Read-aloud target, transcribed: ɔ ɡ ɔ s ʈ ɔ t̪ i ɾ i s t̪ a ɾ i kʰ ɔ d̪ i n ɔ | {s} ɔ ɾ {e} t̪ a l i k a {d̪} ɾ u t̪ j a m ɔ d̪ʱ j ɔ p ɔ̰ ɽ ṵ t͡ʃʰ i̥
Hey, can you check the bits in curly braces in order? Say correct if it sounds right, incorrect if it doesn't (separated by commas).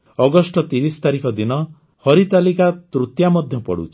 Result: incorrect, incorrect, incorrect